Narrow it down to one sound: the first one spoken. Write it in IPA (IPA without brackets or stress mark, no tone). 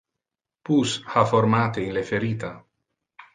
p